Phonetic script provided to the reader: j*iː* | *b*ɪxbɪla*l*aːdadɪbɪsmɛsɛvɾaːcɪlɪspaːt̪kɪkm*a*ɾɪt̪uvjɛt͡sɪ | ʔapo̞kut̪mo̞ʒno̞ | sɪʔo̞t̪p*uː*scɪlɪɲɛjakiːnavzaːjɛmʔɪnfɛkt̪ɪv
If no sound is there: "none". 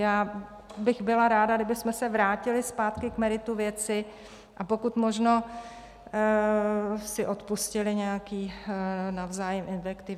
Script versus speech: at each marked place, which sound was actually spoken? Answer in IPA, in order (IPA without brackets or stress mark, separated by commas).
aː, b, ɾ, ɛ, u